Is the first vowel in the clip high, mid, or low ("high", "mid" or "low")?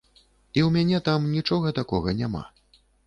high